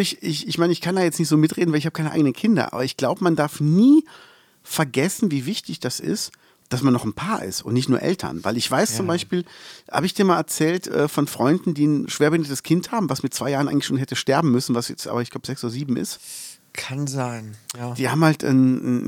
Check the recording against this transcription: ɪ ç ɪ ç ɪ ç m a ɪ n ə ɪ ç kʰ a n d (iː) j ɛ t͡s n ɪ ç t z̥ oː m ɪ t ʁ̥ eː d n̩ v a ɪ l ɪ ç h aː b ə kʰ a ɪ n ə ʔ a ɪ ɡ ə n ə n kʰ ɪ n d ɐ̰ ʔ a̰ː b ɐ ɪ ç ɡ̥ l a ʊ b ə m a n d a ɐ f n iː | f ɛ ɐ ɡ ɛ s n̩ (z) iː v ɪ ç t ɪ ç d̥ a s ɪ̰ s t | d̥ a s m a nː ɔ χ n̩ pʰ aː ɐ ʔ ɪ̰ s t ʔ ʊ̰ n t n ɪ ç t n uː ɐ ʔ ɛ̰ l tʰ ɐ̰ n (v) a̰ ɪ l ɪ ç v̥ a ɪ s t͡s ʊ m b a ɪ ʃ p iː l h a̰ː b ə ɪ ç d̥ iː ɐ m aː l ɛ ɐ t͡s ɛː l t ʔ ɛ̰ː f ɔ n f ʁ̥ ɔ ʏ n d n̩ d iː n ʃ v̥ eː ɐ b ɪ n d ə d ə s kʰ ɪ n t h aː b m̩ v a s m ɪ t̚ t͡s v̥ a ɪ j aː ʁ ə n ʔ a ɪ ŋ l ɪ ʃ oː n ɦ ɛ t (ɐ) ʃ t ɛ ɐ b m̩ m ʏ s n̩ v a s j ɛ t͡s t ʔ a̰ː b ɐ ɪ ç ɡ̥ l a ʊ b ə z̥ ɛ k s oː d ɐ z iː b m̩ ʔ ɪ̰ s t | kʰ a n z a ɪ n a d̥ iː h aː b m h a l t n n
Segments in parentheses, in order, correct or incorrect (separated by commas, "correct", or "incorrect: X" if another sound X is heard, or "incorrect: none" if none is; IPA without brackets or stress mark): incorrect: aː, incorrect: v, correct, incorrect: ə